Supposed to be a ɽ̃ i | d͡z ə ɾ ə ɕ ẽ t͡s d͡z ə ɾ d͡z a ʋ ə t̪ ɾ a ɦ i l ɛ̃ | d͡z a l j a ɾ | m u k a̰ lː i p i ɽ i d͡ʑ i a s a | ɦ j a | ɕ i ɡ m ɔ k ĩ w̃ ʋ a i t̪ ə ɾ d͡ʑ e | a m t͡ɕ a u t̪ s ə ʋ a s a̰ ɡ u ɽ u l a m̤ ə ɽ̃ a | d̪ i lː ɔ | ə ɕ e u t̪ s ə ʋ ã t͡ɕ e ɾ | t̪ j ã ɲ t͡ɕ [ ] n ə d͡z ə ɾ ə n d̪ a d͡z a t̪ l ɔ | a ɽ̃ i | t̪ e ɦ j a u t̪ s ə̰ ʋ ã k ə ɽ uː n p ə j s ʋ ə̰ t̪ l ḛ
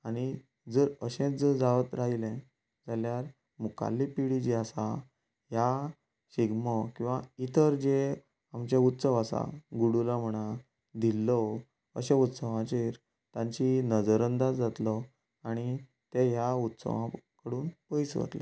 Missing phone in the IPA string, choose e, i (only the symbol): i